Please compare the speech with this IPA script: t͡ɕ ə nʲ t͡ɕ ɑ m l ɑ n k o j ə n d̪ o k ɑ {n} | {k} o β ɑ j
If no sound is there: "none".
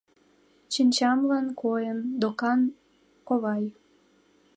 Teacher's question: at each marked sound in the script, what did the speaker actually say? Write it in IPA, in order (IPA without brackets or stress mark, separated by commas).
n, k